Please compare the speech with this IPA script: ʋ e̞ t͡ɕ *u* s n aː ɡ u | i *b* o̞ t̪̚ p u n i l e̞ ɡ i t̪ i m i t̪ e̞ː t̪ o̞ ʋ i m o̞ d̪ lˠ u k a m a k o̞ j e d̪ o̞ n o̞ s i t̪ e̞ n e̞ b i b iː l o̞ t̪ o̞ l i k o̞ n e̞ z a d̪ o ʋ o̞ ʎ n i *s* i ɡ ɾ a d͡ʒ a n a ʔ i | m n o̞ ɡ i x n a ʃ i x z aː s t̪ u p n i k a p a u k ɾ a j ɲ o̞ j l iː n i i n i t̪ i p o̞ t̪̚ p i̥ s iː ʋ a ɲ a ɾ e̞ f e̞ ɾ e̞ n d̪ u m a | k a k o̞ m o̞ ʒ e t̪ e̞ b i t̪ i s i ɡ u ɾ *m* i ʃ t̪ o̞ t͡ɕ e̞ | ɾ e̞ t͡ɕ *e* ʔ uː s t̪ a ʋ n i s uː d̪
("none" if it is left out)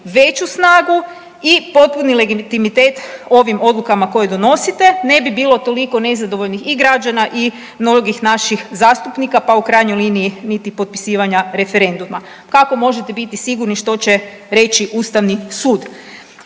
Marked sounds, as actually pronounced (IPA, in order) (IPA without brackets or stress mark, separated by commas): u, p, x, n, i